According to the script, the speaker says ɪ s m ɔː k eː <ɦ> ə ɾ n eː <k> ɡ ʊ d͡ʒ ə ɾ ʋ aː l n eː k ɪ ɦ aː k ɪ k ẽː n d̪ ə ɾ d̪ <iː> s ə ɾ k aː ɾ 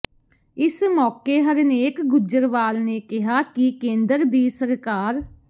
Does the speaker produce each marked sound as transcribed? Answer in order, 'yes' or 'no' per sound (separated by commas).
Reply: yes, yes, yes